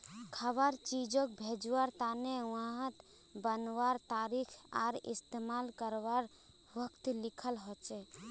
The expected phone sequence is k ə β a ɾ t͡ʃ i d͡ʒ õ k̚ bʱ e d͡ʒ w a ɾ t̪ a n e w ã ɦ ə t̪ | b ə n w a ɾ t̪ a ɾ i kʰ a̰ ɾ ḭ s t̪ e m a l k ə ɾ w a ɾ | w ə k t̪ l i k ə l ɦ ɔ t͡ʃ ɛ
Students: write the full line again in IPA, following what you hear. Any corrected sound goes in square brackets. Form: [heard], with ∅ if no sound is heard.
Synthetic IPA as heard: [kʰ] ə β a ɾ t͡ʃ i d͡ʒ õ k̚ bʱ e d͡ʒ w a ɾ t̪ a n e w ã ɦ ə t̪ | b ə n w a ɾ t̪ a ɾ i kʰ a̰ ɾ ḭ s t̪ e m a l k ə ɾ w a ɾ | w ə k t̪ l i [kʰ] ə l ɦ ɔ t͡ʃ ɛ